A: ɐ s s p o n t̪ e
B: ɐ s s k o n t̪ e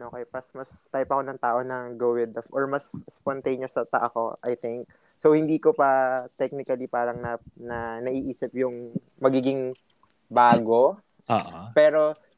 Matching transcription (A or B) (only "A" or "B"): A